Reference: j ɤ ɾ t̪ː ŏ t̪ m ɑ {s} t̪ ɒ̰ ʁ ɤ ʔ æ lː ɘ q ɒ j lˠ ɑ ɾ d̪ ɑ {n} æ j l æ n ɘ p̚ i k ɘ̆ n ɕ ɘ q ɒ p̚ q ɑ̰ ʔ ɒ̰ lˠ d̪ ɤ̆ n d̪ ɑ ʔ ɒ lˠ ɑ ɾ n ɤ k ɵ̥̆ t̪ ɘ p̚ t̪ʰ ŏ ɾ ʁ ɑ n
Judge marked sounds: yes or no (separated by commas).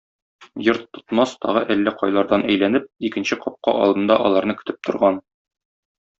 yes, yes